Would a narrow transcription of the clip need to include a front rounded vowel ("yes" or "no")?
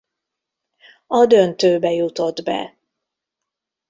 yes